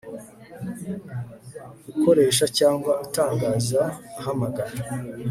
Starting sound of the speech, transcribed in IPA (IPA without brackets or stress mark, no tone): u